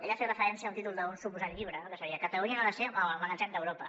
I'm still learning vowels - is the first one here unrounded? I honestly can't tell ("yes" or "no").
yes